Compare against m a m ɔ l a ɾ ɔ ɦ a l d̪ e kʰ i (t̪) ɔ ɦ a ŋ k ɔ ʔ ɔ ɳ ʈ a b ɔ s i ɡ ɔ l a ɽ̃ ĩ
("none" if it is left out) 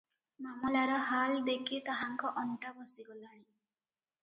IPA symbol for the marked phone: t̪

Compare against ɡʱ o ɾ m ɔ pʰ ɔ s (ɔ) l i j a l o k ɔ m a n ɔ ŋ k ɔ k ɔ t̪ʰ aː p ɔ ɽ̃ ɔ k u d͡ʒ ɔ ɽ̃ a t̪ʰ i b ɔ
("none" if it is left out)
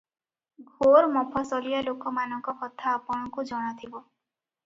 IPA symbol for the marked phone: ɔ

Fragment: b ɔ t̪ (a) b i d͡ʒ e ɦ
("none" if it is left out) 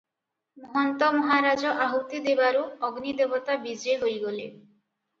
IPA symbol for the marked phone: a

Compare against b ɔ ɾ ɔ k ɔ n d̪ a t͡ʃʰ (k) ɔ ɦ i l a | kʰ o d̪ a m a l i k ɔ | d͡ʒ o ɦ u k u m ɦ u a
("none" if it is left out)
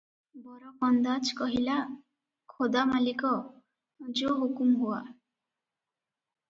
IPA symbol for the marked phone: k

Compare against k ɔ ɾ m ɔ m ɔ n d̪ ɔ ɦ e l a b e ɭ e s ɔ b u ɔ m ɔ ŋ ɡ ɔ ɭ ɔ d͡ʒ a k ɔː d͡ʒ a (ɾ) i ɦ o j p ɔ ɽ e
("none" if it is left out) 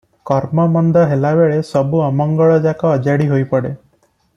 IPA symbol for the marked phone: ɽ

